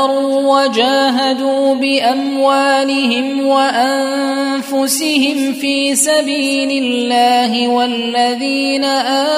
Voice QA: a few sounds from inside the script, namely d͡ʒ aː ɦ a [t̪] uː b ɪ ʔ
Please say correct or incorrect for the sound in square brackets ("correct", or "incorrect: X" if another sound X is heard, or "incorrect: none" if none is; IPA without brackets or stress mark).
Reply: incorrect: d̪